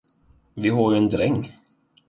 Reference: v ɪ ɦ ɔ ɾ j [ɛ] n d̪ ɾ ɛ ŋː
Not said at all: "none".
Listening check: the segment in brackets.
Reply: ɛ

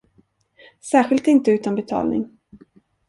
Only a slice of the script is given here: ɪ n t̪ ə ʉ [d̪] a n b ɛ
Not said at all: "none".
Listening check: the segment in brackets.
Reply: t̪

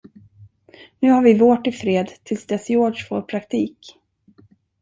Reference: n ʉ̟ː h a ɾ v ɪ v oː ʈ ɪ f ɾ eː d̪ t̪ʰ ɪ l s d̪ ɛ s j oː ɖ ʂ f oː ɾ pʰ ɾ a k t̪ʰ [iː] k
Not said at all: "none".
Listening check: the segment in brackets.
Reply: iː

